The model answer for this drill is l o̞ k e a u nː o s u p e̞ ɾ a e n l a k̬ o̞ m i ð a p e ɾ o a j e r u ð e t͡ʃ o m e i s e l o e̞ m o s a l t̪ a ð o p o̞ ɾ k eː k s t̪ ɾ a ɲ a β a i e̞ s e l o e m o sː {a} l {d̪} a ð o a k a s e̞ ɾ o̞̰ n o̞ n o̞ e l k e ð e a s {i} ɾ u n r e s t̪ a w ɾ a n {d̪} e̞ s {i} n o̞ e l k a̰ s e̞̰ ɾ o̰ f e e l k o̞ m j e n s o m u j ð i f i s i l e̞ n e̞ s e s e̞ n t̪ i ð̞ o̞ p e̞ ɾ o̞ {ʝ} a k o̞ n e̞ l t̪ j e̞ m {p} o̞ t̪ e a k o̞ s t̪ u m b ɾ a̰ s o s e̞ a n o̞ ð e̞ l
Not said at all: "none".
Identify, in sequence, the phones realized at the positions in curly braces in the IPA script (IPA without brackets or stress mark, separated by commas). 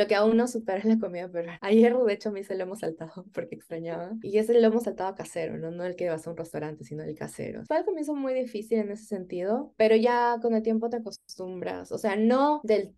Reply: a, t̪, e, t̪, i, ʝ, p